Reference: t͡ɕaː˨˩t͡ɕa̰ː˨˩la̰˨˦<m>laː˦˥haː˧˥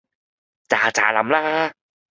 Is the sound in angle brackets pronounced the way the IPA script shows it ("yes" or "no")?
yes